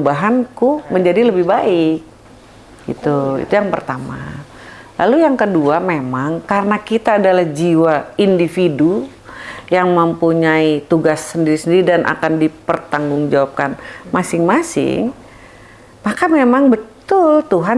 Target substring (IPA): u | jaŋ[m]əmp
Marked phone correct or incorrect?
correct